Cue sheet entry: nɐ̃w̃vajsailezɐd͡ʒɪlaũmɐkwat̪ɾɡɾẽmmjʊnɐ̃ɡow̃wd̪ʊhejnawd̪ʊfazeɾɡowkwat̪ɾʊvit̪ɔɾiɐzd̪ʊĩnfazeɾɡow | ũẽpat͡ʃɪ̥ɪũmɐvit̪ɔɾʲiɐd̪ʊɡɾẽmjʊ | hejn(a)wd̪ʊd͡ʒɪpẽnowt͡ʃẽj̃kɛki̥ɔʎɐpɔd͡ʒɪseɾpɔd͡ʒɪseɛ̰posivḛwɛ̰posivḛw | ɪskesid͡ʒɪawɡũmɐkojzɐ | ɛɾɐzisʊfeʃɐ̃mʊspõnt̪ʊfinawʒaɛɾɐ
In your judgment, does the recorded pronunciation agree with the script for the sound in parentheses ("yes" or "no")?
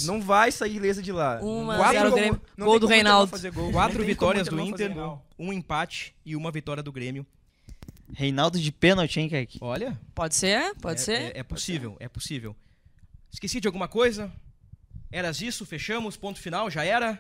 yes